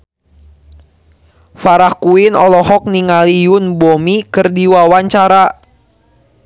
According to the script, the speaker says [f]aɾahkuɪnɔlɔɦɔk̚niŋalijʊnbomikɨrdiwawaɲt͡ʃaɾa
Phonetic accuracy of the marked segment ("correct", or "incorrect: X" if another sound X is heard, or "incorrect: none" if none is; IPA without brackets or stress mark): correct